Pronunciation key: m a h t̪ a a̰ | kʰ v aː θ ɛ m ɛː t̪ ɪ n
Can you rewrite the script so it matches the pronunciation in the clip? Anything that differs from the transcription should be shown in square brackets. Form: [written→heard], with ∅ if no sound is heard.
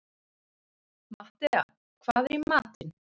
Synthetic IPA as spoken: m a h t̪ [a→ɛ] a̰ | kʰ v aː [θ→ð] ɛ m [ɛː→aː] t̪ ɪ n